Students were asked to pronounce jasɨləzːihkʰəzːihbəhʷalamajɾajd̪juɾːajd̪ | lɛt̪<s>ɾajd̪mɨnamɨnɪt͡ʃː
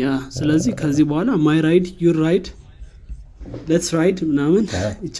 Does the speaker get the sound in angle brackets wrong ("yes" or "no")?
no